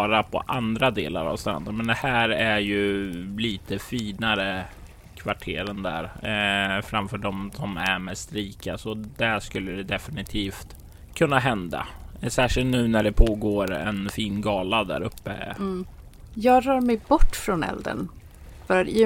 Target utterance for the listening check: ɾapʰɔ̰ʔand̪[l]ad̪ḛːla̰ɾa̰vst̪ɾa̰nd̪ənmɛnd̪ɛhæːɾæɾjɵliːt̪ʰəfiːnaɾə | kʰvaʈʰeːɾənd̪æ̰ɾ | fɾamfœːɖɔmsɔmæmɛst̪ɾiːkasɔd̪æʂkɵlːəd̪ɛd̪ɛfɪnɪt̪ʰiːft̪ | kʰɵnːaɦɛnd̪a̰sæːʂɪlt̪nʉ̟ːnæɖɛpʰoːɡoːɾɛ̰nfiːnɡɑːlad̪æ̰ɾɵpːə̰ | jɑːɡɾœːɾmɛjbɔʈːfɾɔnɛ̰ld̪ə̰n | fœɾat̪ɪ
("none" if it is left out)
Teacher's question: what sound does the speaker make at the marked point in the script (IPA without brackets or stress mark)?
ɾ